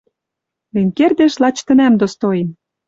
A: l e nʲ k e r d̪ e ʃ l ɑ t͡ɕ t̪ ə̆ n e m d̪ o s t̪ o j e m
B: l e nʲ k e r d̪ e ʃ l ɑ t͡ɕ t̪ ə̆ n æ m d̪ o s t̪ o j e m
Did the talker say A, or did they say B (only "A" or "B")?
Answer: B